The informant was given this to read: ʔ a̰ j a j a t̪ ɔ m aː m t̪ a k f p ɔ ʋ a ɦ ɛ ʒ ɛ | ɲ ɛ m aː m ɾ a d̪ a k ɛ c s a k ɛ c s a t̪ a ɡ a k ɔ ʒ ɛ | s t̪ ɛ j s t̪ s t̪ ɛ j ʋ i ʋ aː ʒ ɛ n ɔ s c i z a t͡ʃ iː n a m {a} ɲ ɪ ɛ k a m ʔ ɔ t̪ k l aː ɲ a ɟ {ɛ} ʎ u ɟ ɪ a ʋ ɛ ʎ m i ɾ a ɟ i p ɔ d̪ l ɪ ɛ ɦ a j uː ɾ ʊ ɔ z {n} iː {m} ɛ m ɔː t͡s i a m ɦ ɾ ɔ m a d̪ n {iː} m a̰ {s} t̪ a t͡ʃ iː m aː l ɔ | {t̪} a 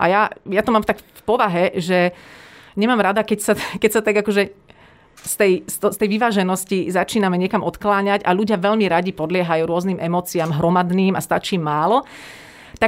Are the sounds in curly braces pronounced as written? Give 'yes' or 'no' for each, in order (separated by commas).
no, no, yes, yes, yes, yes, yes